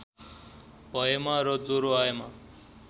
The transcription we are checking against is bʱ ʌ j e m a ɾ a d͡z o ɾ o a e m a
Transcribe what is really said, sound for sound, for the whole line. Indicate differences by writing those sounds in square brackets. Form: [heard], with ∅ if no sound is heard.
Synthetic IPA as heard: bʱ ʌ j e m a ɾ [ʌ] d͡z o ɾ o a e m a

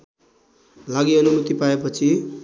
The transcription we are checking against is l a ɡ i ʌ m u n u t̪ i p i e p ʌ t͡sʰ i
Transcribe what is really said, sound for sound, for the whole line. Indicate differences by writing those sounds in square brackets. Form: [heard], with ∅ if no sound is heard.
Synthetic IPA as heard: l a ɡ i ʌ [n] u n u t̪ i p [a] e p ʌ t͡sʰ i

